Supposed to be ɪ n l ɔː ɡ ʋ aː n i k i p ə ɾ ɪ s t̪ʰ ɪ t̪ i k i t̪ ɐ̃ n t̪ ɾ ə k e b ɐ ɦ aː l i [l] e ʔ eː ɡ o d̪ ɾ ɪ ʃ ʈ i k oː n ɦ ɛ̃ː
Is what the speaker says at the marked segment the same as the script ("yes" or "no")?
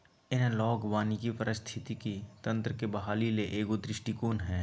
yes